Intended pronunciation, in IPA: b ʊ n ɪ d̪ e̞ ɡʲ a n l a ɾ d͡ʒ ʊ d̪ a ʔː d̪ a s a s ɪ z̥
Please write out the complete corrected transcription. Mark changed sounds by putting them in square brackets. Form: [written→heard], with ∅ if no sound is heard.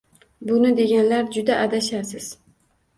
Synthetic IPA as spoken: b ʊ n ɪ d̪ e̞ ɡʲ a n l a ɾ d͡ʒ ʊ d̪ a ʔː d̪ a [s→ʃ] a s ɪ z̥